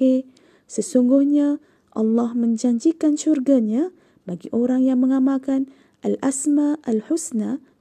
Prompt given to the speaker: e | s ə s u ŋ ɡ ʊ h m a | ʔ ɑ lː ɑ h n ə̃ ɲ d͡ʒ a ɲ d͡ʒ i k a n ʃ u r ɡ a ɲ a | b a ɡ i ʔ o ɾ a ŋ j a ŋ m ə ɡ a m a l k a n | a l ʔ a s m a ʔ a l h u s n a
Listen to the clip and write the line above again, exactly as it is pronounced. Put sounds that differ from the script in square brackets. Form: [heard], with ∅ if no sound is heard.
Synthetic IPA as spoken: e | s ə s u ŋ ɡ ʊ h [ɲ] a | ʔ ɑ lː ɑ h [m] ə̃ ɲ d͡ʒ a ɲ d͡ʒ i k a n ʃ u r ɡ a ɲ a | b a ɡ i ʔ o ɾ a ŋ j a ŋ m ə [ŋ] a m a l k a n | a l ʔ a s m a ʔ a l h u s n a